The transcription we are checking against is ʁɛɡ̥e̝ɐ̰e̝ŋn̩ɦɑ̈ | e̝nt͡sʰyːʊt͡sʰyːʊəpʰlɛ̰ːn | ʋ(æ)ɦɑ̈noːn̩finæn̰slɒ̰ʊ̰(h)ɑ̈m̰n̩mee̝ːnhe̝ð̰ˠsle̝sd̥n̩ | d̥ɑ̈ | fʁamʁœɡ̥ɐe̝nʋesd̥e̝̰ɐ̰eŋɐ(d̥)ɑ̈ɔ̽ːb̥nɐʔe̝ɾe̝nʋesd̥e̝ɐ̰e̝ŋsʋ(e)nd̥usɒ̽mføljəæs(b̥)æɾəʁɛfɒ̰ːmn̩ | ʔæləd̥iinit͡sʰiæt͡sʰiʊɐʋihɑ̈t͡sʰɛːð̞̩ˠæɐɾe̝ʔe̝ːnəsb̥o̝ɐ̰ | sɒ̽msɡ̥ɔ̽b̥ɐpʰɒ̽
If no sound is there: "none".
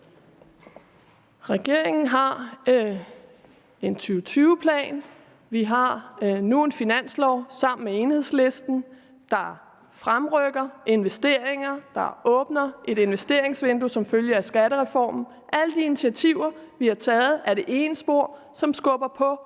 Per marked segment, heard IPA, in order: i, s, d̥, e, ɡ̥

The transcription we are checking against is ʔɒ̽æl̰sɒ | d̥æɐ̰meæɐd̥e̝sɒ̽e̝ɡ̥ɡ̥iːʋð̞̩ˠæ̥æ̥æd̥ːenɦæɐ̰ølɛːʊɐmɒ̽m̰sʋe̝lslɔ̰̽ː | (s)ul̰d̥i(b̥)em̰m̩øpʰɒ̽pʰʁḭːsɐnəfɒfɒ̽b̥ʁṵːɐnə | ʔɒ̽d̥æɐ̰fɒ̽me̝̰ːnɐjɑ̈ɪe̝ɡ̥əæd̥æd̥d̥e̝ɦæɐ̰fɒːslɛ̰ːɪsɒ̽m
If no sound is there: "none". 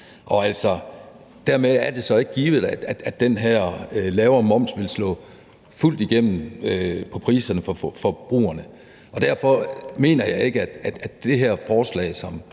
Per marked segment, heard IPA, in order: f, ɡ̥

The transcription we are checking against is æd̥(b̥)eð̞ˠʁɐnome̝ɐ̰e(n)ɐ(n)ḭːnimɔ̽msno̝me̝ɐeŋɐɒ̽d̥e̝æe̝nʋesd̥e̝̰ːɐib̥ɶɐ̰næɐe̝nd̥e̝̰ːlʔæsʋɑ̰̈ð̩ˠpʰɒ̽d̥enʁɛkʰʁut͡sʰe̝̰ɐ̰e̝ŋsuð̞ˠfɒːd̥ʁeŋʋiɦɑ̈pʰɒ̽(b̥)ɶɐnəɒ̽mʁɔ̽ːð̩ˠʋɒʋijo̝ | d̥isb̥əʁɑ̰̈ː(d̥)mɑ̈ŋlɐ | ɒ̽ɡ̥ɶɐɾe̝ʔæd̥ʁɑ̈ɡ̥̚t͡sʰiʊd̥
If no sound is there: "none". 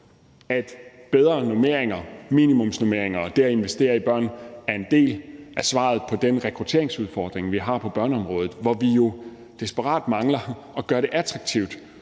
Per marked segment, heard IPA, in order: b̥, ŋ, m, b̥, d̥

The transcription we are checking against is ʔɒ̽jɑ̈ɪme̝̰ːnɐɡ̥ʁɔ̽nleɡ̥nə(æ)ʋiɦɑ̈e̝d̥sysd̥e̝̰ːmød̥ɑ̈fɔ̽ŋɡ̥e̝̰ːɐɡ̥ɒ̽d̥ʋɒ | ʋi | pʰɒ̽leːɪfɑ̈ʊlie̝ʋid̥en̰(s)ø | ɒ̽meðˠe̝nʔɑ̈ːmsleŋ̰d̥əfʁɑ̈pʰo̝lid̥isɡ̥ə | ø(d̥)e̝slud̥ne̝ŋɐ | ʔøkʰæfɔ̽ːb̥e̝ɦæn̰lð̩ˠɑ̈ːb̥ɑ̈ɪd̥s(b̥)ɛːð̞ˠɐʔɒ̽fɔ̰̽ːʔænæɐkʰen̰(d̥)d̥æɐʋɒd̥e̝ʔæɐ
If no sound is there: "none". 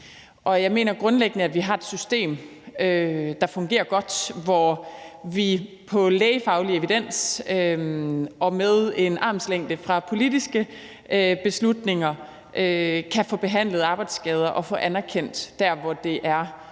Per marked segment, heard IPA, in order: æ, s, b̥, ɡ̥, d̥

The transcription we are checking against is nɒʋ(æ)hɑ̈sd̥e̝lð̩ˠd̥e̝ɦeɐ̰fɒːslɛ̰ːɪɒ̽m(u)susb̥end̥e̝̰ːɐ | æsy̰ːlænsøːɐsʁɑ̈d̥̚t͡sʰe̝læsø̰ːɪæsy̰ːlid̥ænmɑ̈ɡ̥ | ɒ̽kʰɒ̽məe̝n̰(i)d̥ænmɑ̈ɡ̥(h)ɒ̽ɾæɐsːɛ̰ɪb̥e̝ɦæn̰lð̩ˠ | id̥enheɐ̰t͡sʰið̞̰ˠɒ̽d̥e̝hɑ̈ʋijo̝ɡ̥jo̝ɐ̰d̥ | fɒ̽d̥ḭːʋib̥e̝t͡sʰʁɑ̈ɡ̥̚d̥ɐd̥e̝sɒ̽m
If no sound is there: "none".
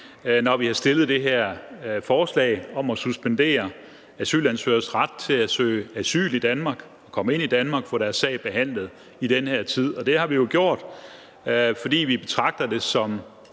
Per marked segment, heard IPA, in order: i, ɒ, i, f

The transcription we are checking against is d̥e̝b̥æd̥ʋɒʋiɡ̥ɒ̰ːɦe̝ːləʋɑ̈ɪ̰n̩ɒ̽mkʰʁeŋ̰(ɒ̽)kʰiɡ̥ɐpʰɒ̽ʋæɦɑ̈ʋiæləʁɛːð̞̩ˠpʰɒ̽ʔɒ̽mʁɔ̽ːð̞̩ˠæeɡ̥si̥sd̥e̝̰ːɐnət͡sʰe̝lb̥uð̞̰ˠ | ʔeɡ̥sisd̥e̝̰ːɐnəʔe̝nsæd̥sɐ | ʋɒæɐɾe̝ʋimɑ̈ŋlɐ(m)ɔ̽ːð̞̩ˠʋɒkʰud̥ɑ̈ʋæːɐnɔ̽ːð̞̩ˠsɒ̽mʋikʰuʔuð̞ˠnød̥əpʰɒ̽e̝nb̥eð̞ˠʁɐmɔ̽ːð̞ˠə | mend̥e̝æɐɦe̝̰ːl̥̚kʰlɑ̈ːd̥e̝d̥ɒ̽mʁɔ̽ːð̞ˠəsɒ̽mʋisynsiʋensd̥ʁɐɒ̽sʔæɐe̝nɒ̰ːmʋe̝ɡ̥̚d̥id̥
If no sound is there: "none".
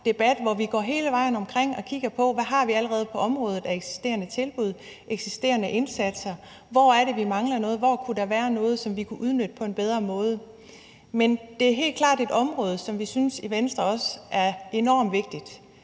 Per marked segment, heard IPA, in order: ɒ̽, n

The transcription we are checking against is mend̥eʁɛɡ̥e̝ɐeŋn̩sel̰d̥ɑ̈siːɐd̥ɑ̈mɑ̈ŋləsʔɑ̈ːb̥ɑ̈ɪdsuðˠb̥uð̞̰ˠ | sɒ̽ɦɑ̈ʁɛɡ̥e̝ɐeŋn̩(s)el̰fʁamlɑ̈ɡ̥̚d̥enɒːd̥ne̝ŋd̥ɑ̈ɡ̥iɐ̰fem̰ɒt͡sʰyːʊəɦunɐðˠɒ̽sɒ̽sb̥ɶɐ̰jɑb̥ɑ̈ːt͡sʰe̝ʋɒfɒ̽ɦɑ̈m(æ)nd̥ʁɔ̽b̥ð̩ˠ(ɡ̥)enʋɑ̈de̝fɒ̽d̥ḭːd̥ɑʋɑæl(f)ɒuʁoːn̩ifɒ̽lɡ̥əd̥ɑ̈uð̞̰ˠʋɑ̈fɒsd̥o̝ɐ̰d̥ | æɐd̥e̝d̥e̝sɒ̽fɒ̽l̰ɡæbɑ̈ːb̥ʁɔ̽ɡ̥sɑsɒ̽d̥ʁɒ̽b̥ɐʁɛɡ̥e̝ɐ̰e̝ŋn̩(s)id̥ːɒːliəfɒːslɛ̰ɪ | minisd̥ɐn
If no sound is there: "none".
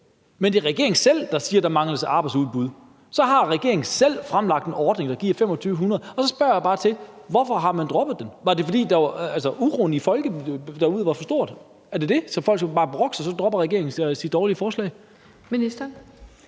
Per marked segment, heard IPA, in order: s, æ, d̥, s, s

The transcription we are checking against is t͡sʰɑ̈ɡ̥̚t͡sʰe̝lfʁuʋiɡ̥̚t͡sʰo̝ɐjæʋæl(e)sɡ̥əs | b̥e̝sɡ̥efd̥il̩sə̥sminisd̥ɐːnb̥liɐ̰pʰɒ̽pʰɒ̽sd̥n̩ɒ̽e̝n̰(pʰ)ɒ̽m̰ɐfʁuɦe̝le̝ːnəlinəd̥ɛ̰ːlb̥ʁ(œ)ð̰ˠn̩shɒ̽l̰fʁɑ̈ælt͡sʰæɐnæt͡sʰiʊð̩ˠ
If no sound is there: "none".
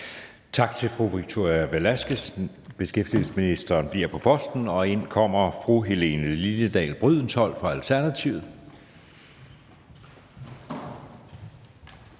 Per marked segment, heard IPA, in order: æ, kʰ, y

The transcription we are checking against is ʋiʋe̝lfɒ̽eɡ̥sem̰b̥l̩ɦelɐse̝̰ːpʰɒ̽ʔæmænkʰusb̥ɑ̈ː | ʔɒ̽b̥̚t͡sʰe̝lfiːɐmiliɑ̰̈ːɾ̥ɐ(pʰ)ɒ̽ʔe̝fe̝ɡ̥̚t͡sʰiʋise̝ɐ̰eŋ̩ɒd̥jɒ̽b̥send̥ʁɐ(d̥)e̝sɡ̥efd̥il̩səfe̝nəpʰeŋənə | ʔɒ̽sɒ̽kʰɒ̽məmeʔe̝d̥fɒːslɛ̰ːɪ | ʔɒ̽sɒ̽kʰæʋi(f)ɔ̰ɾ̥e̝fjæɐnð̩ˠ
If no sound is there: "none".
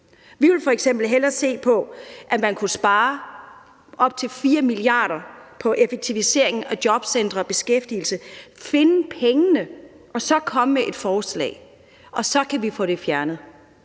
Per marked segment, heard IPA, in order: pʰ, b̥, f

